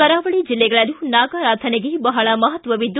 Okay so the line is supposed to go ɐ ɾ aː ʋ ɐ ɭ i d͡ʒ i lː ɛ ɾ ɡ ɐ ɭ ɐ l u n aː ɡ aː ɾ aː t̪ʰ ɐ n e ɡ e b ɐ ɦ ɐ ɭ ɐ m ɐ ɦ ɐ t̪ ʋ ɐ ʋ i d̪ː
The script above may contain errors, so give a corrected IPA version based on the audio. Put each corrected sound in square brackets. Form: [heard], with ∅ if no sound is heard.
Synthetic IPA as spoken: ɐ ɾ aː ʋ ɐ ɭ i d͡ʒ i lː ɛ [∅] ɡ ɐ ɭ ɐ l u n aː ɡ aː ɾ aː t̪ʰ ɐ n e ɡ e b ɐ ɦ ɐ ɭ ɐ m ɐ ɦ ɐ t̪ ʋ ɐ ʋ i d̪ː